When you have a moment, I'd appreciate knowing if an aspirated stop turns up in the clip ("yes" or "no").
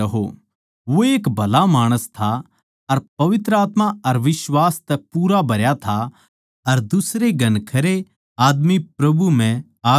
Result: yes